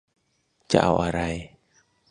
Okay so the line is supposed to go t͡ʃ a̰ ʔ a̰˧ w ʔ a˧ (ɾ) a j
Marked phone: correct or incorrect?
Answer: correct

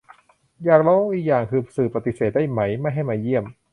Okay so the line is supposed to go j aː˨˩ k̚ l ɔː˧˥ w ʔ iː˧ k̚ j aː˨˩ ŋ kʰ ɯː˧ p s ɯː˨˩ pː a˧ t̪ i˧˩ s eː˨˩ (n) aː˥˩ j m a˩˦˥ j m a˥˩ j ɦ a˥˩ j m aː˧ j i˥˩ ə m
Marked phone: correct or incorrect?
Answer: incorrect: d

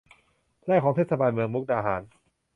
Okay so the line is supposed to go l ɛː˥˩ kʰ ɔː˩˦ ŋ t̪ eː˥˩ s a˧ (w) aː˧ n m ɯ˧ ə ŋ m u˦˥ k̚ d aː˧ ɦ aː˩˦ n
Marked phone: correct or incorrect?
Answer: incorrect: b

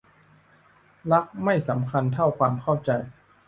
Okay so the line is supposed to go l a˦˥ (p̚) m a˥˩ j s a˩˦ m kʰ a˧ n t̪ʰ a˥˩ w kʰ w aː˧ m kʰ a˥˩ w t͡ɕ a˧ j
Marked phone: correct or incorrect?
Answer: incorrect: k̚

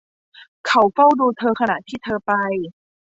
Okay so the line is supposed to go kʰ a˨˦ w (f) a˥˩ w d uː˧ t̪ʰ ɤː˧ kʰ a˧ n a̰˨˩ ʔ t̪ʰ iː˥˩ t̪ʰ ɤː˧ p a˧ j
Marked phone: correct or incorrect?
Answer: correct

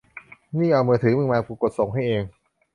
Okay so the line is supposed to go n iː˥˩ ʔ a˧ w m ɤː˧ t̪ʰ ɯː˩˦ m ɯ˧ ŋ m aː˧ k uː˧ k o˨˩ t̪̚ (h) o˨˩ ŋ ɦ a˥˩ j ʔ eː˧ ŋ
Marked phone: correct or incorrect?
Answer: incorrect: s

